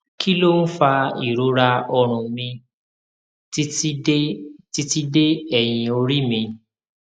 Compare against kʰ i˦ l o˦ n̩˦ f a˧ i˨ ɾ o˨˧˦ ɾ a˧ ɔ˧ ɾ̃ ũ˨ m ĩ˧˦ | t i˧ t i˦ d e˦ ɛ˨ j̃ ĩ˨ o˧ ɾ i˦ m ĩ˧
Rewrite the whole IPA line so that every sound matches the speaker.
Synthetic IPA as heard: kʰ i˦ l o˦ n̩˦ f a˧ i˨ ɾ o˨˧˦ ɾ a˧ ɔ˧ ɾ̃ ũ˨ m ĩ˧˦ | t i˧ t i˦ d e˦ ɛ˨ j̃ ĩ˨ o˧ ɾ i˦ m ĩ˧